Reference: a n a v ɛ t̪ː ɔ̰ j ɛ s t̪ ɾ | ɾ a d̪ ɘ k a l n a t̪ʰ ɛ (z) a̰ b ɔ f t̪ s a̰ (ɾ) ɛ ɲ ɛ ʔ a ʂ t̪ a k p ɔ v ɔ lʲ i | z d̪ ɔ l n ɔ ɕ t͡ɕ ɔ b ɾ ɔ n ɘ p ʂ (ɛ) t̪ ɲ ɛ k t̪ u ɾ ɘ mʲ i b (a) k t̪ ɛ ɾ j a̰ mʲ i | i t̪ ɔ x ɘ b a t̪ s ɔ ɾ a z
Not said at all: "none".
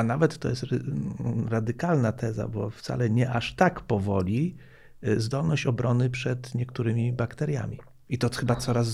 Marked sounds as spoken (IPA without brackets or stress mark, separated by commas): z, l, ɛ, a